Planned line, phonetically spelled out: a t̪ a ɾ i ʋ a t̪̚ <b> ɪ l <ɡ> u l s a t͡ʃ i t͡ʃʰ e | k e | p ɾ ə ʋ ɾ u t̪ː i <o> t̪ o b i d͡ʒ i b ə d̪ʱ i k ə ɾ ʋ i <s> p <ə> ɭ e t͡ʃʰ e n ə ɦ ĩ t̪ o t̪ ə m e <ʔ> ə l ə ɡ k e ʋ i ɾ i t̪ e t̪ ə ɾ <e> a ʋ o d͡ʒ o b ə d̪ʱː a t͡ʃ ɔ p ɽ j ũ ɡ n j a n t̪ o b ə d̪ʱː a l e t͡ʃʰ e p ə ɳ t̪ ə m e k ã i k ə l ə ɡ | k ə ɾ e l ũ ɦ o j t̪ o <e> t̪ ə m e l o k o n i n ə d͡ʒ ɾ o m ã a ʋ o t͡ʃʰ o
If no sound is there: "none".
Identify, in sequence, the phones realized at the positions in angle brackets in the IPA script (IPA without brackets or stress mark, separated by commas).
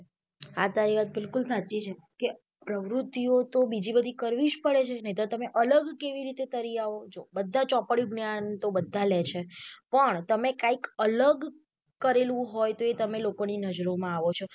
b, k, o, ʃ, ə, ʔ, i, e